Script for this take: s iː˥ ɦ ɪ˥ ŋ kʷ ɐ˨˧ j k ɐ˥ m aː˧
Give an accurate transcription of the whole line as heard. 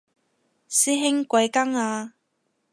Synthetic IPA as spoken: s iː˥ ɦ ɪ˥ ŋ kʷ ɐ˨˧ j k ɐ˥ ŋ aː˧